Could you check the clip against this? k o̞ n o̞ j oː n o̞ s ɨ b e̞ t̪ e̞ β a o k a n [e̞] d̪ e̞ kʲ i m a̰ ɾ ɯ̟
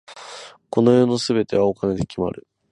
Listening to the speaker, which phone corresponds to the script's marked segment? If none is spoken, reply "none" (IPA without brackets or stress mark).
e̞